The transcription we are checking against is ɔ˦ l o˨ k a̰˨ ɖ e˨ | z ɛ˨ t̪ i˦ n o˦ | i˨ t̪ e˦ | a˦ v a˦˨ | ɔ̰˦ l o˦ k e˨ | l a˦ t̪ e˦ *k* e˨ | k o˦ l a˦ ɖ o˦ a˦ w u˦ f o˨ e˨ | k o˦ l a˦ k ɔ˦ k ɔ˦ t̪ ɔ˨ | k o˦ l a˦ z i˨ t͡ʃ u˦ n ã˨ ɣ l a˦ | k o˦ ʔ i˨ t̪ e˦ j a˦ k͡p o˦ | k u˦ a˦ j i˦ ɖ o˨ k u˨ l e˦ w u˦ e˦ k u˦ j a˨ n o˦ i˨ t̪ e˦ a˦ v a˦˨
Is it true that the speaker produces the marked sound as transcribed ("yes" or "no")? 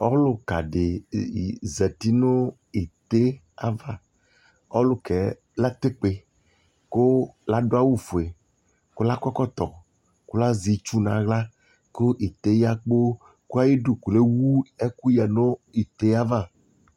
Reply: no